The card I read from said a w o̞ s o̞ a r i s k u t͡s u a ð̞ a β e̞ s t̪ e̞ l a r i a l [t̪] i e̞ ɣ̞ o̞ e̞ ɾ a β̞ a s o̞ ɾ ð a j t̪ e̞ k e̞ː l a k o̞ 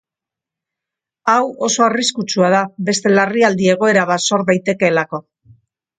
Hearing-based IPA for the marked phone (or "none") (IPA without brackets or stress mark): d̪